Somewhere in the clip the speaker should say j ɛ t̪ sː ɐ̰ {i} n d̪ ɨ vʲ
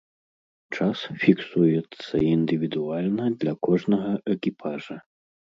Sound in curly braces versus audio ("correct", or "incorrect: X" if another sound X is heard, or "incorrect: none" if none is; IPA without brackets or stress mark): correct